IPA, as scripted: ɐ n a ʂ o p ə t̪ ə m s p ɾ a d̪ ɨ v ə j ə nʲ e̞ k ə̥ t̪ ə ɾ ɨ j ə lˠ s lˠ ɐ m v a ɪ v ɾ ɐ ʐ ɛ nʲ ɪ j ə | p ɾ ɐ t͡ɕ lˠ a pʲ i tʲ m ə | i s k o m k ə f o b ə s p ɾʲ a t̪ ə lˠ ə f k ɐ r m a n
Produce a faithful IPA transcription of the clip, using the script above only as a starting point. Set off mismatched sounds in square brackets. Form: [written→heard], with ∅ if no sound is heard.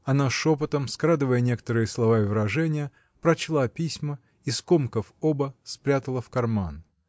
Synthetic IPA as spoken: ɐ n a ʂ o p ə t̪ ə m s [p→k] ɾ a d̪ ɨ v ə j ə nʲ e̞ k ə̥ t̪ ə ɾ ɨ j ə [lˠ→∅] s lˠ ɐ [m→∅] v a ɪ v ɾ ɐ ʐ ɛ nʲ ɪ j ə | p ɾ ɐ t͡ɕ lˠ a pʲ i [tʲ→sʲ] m ə | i s k o m k ə f o b ə s p ɾʲ a t̪ ə lˠ ə f k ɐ r m a n